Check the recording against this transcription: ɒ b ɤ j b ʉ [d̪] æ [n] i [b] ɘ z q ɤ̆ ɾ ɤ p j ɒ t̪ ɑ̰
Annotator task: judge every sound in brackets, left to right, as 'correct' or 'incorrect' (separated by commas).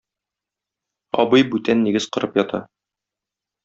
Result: incorrect, incorrect, incorrect